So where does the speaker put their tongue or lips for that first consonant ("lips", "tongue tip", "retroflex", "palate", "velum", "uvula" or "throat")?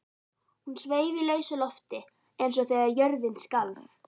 throat